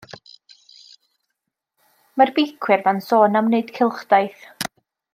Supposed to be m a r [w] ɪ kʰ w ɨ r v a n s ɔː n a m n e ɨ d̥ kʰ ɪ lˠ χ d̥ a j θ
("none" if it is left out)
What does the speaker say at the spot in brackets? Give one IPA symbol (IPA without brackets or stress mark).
b